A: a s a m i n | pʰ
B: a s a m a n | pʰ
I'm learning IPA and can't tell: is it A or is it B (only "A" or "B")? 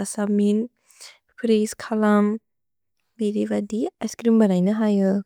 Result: A